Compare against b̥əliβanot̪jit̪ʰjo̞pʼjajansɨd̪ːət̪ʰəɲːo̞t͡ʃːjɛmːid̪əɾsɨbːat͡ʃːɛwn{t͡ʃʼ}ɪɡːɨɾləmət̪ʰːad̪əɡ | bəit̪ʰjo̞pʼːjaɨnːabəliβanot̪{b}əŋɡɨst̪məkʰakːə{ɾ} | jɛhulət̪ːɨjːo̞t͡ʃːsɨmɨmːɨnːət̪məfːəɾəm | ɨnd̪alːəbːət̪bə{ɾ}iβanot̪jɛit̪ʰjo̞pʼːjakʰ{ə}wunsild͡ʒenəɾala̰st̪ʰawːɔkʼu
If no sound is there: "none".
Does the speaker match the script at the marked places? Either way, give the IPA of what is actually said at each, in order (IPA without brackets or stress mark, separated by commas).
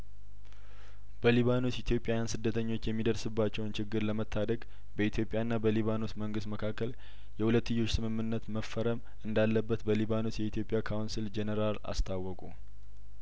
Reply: t͡ʃ, m, l, l, a